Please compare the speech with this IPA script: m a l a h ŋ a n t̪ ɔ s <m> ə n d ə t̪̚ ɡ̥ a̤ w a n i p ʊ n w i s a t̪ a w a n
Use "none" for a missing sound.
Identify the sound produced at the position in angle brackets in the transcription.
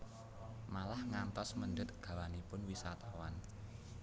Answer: m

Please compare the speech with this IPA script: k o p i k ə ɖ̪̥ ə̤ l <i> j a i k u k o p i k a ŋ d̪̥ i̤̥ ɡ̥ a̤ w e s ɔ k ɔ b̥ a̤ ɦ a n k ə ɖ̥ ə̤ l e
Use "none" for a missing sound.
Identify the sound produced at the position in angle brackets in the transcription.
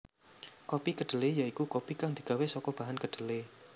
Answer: e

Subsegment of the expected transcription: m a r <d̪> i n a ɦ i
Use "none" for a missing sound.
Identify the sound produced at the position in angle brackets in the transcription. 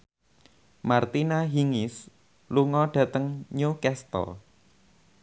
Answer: t̪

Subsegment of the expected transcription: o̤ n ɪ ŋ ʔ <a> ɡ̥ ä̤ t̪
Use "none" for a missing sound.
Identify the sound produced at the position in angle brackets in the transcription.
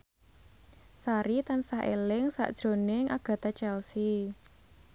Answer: a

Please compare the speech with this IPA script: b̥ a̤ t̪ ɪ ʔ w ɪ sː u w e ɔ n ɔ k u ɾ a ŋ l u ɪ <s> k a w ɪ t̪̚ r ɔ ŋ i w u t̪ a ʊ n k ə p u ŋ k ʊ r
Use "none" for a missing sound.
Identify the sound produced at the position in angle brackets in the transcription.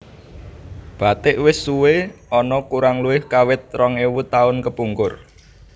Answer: h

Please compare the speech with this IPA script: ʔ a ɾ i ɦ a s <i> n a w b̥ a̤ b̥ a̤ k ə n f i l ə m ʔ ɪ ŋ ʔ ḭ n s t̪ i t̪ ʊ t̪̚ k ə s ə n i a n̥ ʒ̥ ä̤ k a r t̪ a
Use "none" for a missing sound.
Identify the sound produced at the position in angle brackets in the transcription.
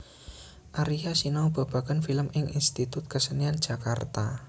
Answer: i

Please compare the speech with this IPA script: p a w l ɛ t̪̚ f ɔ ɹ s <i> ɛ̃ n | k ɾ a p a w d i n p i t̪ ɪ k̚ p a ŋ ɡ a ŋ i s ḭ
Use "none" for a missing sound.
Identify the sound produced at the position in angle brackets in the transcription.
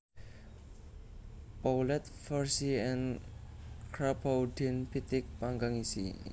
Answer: i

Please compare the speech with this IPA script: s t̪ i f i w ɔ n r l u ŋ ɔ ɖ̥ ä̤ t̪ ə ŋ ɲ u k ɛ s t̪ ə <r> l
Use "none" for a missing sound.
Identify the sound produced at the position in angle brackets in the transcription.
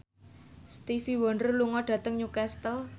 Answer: none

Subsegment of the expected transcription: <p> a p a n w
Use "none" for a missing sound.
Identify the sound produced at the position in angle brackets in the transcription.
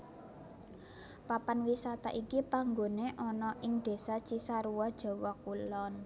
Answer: p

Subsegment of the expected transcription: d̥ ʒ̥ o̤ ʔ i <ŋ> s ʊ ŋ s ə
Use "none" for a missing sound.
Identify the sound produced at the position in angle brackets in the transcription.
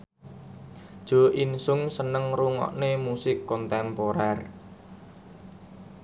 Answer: n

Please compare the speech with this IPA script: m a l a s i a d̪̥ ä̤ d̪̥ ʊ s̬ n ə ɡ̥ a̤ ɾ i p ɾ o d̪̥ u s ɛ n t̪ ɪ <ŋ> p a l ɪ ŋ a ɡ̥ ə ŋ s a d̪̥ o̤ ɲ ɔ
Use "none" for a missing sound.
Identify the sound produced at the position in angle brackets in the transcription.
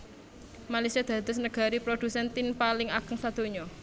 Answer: n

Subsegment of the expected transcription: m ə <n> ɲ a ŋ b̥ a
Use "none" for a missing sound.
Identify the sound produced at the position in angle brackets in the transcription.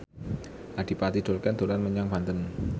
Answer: none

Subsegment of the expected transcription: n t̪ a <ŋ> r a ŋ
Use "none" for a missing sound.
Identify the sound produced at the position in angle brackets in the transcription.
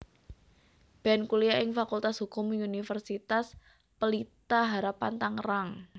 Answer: ŋ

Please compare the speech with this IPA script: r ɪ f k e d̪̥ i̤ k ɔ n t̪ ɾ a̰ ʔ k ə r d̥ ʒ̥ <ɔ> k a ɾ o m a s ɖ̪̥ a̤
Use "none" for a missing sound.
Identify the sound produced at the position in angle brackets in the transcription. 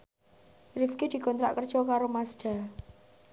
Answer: ɔ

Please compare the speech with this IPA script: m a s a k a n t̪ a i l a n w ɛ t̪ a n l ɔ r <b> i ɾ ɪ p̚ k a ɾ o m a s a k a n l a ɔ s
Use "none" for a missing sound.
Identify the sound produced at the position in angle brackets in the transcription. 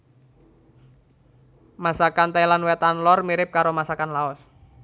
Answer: m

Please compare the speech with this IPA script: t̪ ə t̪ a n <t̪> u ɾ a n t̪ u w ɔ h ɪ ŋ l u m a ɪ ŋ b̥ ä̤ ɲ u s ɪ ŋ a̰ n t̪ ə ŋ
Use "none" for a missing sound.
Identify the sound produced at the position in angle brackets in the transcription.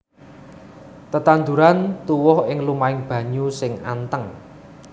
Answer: d̪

